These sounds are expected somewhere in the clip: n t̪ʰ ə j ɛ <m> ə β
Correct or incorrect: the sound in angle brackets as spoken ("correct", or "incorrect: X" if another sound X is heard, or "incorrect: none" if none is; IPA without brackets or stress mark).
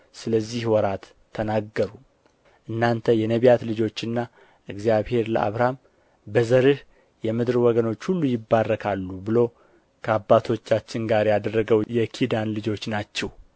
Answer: incorrect: n